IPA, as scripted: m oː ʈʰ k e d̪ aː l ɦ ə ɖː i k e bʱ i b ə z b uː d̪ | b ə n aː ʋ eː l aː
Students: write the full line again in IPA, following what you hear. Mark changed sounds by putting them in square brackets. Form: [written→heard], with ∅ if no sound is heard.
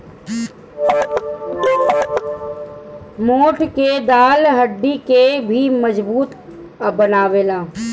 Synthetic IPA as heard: m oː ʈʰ k e d̪ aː l ɦ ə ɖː i k e bʱ i [b→m] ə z b uː [d̪→t̪] | b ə n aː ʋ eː l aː